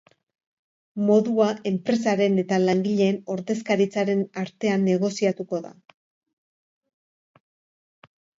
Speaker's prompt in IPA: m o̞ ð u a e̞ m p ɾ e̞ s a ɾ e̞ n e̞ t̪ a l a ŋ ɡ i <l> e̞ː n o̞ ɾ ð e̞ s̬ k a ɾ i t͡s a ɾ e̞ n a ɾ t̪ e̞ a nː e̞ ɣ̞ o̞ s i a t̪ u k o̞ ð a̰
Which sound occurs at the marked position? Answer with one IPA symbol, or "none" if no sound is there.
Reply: ʎ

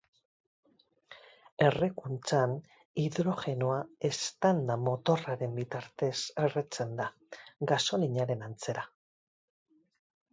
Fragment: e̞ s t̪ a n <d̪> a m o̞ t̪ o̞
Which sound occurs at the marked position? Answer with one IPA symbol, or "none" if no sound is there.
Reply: d̪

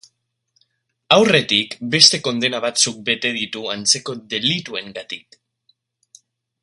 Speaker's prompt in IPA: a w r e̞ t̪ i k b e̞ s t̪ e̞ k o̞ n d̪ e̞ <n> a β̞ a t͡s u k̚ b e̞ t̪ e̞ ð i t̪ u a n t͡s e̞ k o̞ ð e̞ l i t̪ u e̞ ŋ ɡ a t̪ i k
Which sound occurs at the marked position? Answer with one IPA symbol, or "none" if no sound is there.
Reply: n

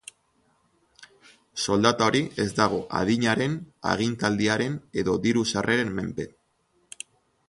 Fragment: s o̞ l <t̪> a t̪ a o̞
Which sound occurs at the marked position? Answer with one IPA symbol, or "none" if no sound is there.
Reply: d̪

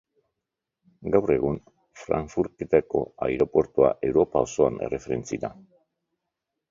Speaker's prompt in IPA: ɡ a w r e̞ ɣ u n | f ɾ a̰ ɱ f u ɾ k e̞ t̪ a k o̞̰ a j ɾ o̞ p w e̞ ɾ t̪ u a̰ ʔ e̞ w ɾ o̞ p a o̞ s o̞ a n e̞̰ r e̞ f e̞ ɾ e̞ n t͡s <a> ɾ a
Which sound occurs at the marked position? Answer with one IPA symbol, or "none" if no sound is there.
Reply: i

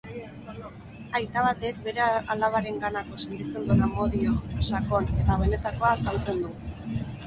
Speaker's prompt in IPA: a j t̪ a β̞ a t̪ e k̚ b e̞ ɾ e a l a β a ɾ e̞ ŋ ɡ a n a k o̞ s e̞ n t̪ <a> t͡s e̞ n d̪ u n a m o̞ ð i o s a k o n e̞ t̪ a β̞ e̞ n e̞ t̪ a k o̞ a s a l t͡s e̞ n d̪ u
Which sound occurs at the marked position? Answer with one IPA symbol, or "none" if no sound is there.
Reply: i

